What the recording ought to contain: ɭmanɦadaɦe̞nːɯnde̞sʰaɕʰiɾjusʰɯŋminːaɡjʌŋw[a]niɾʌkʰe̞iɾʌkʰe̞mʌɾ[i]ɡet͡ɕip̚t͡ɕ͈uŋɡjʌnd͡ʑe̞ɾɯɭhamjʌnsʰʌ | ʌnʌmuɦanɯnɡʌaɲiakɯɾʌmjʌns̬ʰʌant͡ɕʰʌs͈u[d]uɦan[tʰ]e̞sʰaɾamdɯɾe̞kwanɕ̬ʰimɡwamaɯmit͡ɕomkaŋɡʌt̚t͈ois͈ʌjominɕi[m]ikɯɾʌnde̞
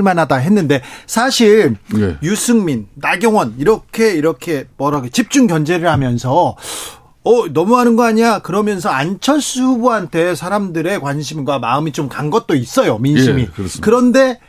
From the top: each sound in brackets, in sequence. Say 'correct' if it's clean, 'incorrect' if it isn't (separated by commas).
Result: incorrect, incorrect, incorrect, correct, correct